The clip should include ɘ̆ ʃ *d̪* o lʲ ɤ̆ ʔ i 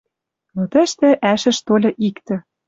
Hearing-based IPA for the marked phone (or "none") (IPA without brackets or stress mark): t̪